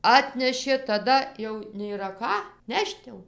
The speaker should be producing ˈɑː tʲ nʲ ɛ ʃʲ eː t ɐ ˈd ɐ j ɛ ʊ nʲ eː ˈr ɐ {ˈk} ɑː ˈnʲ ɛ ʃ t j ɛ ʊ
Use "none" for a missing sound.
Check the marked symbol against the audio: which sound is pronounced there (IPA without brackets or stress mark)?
k